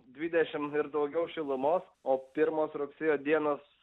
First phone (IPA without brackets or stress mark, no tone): d̪ʲ